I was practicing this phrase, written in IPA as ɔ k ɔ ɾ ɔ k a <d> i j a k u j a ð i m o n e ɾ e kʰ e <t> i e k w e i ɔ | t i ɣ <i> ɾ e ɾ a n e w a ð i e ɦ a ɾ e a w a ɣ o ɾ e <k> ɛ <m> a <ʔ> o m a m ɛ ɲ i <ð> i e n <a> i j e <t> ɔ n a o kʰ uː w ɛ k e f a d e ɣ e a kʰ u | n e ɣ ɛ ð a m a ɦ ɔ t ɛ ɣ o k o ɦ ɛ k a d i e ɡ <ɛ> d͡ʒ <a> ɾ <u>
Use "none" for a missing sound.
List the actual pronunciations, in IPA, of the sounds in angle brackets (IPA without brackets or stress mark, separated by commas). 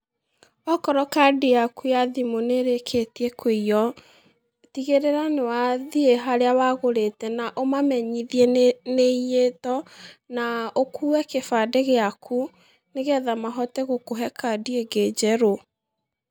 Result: d, t, e, t, n, ʔ, ð, e, t, e, ɛ, o